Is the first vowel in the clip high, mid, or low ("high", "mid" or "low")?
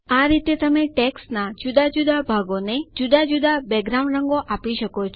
low